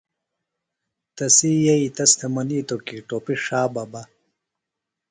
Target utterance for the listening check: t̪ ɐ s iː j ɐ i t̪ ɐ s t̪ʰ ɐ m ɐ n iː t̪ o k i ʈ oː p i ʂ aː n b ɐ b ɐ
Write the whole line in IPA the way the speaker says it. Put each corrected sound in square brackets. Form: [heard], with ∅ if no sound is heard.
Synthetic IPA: t̪ ɐ s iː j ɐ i t̪ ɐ s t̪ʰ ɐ m ɐ n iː t̪ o k i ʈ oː p i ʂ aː [∅] b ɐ b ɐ

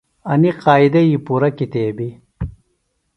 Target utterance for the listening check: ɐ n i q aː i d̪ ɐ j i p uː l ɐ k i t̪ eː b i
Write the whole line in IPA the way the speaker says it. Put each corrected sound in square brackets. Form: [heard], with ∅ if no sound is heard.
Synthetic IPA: ɐ n i q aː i d̪ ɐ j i p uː [ɾ] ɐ k i t̪ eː b i

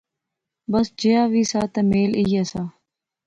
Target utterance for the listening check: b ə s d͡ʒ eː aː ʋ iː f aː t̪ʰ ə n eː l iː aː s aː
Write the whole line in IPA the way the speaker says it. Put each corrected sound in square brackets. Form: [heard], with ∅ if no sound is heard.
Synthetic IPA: b ə s d͡ʒ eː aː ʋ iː [s] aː [t̪] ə [m] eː l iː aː s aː

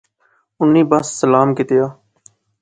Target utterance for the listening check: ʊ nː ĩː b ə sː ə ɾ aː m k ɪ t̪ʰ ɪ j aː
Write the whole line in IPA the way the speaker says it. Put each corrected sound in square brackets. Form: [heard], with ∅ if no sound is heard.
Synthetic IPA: ʊ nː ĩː b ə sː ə [l] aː m k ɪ [t̪] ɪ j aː

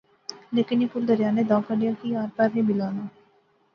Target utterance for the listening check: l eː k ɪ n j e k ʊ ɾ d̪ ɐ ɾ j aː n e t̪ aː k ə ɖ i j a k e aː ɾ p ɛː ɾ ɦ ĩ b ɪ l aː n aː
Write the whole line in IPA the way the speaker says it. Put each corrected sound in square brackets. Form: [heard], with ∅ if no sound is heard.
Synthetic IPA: l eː k ɪ n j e [p] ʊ ɾ d̪ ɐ ɾ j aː n e [d̪] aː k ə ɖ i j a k [i] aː ɾ p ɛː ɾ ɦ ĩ b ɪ l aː n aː

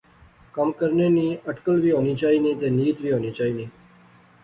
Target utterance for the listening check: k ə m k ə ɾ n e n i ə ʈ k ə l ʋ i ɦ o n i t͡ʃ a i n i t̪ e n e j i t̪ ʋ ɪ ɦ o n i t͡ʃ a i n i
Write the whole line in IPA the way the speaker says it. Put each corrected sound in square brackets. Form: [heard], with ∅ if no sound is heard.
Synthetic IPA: k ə m k ə ɾ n e n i ə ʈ k ə l ʋ i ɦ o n i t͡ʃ a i n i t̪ e n [i] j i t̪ ʋ [i] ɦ o n i t͡ʃ a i n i

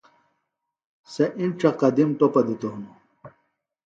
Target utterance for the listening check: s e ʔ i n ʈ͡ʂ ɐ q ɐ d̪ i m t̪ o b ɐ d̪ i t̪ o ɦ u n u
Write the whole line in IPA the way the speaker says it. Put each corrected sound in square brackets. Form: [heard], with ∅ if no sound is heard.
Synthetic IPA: s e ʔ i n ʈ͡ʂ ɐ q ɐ d̪ i m t̪ o [p] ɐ d̪ i t̪ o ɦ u n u

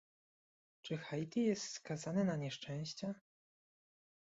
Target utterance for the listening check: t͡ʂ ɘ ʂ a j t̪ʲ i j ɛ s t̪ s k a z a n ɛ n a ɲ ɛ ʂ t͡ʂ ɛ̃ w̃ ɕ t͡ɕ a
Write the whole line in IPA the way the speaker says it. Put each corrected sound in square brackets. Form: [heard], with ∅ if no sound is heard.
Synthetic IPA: t͡ʂ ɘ [x] a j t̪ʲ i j ɛ s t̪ s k a z a n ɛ n a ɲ ɛ ʂ t͡ʂ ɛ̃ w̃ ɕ t͡ɕ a

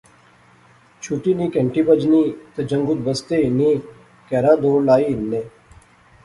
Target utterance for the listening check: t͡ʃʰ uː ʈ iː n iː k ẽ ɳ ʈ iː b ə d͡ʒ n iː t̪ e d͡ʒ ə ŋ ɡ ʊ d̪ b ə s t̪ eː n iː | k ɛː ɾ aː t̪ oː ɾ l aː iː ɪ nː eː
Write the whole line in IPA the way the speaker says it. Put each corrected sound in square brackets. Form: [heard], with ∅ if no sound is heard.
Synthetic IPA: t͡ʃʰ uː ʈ iː n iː k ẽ ɳ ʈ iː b ə d͡ʒ n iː t̪ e d͡ʒ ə ŋ ɡ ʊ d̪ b ə s t̪ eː n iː | k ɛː ɾ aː [d̪] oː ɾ l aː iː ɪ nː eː

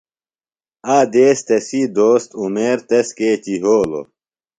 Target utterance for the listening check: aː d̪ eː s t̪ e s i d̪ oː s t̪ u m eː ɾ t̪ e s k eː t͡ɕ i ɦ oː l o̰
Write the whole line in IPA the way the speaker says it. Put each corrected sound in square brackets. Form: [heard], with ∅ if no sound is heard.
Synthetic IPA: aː d̪ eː s t̪ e s i d̪ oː s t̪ u m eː ɾ t̪ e s k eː t͡ɕ i ɦ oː l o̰

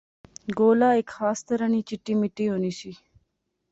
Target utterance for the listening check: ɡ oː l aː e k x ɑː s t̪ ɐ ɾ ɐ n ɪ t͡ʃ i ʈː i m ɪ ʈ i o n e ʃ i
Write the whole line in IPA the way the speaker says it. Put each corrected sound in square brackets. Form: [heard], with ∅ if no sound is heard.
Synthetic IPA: ɡ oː l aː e k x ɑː s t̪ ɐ ɾ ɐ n [i] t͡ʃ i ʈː i m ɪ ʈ i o n [i] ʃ i

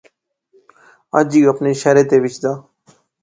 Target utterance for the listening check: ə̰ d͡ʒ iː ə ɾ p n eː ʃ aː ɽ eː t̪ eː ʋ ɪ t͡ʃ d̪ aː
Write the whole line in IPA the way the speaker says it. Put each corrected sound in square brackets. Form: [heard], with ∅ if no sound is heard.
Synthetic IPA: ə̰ d͡ʒ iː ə [∅] p n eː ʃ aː [ɾ] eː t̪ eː ʋ ɪ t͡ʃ d̪ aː

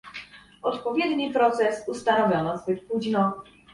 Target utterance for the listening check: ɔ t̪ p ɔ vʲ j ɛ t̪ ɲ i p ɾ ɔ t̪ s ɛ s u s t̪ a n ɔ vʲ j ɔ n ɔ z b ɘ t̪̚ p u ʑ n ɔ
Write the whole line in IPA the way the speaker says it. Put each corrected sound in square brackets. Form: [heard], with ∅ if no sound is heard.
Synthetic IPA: ɔ t̪ p ɔ vʲ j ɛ [d̪] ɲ i p ɾ ɔ t̪ s ɛ s u s t̪ a n ɔ vʲ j ɔ n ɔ z b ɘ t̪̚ p u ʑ n ɔ

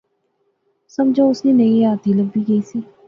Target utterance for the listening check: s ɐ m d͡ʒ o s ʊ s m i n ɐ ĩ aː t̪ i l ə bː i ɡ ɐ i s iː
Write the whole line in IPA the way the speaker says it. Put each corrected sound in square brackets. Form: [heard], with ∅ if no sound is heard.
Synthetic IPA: s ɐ m d͡ʒ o [∅] ʊ s [n] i n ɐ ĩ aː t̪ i l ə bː i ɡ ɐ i s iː

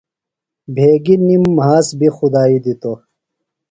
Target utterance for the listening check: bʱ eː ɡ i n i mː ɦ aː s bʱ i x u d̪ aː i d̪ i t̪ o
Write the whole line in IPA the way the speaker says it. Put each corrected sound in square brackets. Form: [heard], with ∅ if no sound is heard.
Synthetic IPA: bʱ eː ɡ i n i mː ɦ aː s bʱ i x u d̪ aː i d̪ i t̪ o

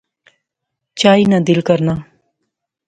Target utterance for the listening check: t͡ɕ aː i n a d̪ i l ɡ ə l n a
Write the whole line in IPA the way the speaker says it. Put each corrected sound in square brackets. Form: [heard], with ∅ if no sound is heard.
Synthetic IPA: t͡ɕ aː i n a d̪ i l [k] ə [ɾ] n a

